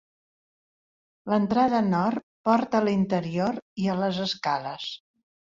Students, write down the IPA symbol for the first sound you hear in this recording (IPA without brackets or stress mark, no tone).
l